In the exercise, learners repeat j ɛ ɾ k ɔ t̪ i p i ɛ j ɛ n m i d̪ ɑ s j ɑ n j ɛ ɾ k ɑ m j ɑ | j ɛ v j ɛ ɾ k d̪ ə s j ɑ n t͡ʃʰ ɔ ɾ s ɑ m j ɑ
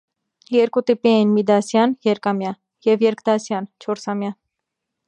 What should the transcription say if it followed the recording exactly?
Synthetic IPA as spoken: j ɛ ɾ k u t̪ i p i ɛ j i n m i d̪ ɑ s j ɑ n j ɛ ɾ k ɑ m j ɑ | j ɛ v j ɛ ɾ k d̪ ɑ s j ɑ n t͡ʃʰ ɔ ɾ s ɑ m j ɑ